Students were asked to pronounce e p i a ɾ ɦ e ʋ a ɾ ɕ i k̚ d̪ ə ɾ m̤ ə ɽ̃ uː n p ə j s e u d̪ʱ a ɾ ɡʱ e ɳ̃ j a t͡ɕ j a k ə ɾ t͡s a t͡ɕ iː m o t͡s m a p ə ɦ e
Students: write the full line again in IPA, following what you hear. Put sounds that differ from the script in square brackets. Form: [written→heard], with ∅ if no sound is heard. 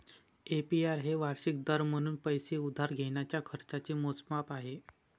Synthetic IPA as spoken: e p i a ɾ ɦ e ʋ a ɾ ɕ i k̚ d̪ ə ɾ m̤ ə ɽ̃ uː n p ə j s e u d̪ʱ a ɾ ɡʱ e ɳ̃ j a t͡ɕ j a [k→kʰ] ə ɾ t͡s a t͡ɕ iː m o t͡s m a p [ə→a] ɦ e